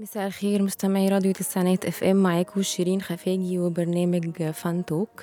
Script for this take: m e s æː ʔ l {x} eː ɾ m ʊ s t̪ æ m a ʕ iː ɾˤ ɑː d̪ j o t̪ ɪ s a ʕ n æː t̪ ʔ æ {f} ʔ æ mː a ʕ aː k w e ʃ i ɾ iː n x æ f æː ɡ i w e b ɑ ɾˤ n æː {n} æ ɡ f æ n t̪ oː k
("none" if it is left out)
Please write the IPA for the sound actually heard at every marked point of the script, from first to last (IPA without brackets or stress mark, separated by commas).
x, f, m